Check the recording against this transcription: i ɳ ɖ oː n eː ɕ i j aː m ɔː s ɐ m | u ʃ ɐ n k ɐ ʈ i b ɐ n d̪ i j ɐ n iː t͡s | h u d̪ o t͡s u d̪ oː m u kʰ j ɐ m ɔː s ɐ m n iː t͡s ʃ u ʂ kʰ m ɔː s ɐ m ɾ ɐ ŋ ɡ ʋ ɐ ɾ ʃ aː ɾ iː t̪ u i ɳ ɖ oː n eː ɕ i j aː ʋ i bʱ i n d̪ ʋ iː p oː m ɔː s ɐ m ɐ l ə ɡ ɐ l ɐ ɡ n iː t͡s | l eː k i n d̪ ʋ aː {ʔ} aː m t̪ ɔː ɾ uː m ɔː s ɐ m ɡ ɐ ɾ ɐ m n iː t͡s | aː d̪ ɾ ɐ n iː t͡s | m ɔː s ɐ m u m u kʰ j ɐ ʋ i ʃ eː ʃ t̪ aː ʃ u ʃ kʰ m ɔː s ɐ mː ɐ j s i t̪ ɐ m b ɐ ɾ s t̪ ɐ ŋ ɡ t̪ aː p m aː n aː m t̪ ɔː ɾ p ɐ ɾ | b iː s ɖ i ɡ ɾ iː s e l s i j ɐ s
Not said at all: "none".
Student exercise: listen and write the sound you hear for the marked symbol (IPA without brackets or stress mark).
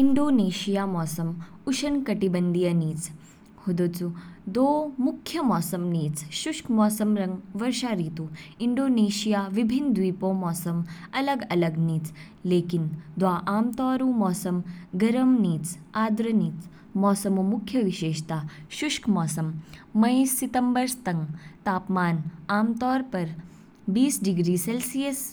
ʔ